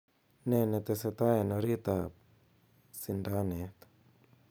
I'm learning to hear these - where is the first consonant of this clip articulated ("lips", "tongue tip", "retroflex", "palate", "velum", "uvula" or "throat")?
tongue tip